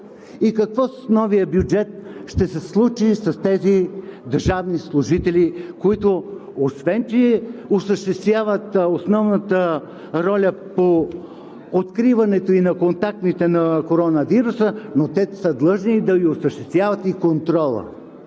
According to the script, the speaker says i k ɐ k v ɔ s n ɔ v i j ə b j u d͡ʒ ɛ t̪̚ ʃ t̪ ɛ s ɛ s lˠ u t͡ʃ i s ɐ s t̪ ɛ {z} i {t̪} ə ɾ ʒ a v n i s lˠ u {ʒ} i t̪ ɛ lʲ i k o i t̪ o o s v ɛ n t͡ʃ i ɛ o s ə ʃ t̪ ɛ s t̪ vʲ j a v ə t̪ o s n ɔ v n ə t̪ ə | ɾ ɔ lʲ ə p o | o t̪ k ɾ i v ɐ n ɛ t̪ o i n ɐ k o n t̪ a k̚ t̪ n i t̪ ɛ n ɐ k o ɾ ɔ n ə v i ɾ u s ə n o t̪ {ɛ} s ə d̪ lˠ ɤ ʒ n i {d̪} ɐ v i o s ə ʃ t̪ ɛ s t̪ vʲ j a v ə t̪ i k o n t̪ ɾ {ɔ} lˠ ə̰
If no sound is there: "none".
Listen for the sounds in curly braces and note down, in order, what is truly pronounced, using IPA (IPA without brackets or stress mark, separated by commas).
z, d̪, ʒ, ɛ, d̪, ɔ